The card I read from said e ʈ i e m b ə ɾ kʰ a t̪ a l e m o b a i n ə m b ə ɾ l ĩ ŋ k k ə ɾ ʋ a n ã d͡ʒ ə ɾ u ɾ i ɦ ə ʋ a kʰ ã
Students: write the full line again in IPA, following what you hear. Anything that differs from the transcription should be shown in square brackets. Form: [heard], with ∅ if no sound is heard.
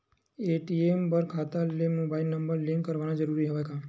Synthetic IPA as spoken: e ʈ i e m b ə ɾ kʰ a t̪ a l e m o b a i n ə m b ə ɾ l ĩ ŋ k k ə ɾ ʋ a n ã d͡ʒ ə ɾ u ɾ i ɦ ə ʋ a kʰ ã